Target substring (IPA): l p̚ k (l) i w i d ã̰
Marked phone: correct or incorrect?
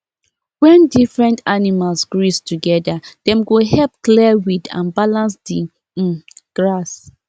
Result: correct